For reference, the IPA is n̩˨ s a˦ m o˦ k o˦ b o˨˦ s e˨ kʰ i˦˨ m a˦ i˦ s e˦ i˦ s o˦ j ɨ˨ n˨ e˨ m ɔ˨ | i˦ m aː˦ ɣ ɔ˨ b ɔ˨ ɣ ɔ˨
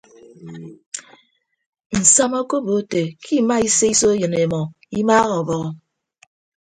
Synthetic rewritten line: n̩˨ s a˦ m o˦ k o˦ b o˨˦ t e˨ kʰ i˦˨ m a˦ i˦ s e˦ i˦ s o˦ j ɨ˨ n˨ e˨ m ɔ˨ | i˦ m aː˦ ɣ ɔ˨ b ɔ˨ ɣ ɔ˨